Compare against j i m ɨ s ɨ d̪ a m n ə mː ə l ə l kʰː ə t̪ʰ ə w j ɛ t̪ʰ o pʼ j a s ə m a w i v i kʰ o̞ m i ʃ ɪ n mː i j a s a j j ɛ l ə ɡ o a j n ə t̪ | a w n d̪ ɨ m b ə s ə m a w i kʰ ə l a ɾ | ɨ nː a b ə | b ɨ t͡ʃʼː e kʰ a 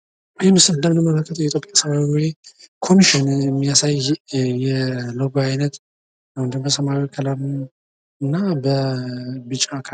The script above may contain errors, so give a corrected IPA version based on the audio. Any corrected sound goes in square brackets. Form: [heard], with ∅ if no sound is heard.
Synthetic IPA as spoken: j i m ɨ s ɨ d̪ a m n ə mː ə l ə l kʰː ə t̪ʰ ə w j ɛ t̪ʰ o pʼ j a s ə m a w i [w] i kʰ o̞ m i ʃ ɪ n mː i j a s a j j ɛ l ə ɡ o a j n ə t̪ | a w n d̪ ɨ m b ə s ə m a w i kʰ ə l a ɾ | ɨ nː a b ə | b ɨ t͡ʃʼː [a] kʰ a